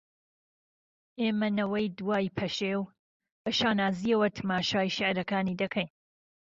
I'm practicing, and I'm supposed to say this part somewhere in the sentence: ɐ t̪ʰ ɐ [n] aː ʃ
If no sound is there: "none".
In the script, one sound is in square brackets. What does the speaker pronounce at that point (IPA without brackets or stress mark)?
m